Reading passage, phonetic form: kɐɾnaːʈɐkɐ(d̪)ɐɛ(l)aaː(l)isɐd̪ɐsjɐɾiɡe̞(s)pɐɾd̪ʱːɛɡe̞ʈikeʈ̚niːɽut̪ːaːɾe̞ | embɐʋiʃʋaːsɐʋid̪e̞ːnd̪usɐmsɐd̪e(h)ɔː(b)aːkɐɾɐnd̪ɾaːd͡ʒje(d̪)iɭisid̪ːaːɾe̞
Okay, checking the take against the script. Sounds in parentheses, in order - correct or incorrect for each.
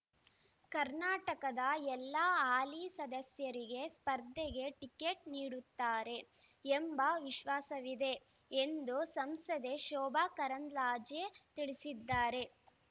correct, incorrect: lː, correct, correct, incorrect: ʃ, correct, incorrect: t̪

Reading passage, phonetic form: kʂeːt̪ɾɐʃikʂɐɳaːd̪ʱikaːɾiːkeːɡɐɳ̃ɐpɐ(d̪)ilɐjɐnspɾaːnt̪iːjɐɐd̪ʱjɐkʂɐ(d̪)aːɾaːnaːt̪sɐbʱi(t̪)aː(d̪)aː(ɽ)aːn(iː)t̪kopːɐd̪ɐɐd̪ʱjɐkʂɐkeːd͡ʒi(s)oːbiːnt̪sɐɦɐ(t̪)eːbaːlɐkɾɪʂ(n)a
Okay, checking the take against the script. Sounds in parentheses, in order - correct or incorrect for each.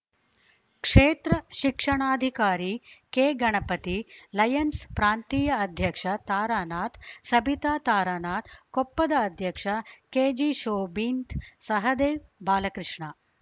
incorrect: t̪, incorrect: t̪, correct, incorrect: t̪, incorrect: ɾ, incorrect: aː, incorrect: ʃ, incorrect: d̪, incorrect: ɳ

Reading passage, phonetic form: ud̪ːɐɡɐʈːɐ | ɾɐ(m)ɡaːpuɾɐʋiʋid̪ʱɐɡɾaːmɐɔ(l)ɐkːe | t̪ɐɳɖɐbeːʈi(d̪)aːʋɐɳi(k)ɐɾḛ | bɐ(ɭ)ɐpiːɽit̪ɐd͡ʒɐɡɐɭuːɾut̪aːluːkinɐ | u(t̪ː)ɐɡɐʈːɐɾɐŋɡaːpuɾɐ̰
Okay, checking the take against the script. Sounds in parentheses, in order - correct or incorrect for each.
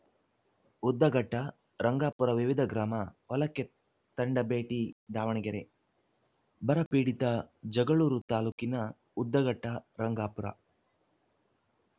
incorrect: ŋ, correct, correct, incorrect: ɡ, incorrect: ɾ, incorrect: d̪ː

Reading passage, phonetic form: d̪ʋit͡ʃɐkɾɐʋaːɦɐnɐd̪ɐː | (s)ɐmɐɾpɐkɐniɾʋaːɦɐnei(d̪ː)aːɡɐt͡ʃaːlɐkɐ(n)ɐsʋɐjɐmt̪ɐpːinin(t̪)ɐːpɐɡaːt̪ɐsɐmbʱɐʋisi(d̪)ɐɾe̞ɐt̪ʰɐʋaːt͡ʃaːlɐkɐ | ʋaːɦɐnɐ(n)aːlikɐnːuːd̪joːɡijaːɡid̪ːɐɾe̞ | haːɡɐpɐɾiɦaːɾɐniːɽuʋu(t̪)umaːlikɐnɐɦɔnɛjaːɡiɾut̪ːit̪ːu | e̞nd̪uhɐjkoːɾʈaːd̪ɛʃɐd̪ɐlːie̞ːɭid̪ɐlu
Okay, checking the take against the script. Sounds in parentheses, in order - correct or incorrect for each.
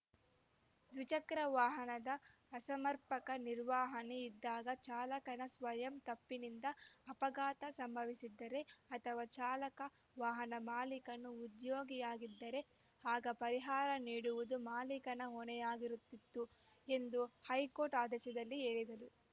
correct, correct, correct, incorrect: d̪, incorrect: d̪ː, incorrect: m, incorrect: d̪

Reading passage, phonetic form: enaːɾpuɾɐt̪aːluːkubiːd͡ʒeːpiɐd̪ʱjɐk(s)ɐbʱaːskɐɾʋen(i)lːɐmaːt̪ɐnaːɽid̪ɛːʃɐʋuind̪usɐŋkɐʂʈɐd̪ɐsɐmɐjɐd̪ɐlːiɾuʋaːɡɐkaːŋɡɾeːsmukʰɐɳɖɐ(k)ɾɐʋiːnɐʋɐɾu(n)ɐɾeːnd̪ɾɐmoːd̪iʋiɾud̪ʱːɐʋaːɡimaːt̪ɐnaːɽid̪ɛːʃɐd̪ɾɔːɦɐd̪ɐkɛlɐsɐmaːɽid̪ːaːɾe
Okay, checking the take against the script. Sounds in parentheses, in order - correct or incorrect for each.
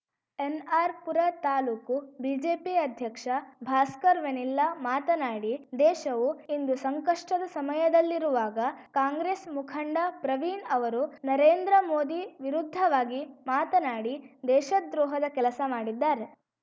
incorrect: ʂ, correct, incorrect: p, correct

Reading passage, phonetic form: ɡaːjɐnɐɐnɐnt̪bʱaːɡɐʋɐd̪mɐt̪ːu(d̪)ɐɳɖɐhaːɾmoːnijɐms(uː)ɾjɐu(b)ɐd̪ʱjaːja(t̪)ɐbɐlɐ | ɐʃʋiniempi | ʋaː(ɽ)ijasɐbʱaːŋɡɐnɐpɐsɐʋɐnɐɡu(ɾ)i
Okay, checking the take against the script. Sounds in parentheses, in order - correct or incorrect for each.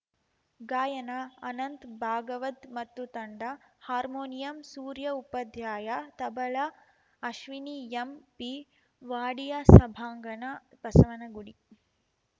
incorrect: t̪, correct, incorrect: p, correct, correct, incorrect: ɽ

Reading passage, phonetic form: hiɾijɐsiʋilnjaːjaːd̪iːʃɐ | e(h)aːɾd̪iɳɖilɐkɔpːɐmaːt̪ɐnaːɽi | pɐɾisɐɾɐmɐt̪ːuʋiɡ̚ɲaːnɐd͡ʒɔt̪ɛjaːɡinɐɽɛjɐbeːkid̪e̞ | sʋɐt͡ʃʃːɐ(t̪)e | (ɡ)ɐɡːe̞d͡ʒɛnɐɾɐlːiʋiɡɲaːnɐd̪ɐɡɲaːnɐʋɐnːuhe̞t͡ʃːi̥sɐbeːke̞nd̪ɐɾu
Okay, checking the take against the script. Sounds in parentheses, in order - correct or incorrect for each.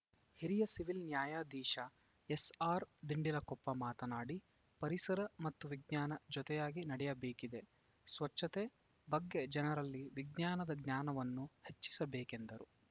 incorrect: s, correct, incorrect: b

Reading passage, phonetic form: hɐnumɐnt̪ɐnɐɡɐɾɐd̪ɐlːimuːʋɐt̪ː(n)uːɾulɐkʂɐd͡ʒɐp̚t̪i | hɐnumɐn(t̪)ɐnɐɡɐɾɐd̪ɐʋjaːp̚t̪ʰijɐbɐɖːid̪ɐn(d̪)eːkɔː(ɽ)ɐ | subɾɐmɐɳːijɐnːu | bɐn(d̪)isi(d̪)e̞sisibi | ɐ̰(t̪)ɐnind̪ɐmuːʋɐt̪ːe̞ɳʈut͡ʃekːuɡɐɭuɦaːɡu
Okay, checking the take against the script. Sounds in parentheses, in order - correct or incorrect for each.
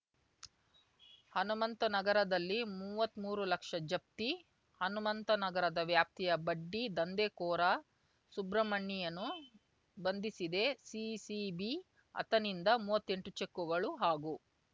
incorrect: m, correct, correct, incorrect: ɾ, correct, correct, correct

